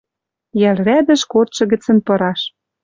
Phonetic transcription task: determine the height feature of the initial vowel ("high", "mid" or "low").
low